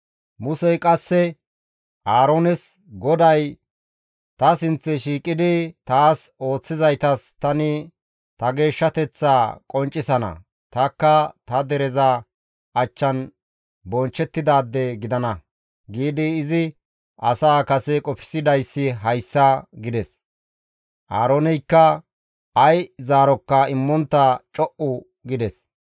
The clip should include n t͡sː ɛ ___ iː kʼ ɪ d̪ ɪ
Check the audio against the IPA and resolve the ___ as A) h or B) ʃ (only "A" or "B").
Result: B